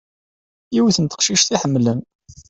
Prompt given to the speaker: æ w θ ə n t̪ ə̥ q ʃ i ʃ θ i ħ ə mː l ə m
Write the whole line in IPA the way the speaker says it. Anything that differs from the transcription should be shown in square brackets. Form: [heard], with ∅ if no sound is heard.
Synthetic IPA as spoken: [i] w θ ə n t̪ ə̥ q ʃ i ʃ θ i ħ ə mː l ə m